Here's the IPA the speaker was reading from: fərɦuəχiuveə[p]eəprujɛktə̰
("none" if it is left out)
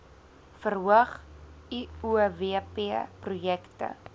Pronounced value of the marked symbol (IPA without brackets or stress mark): p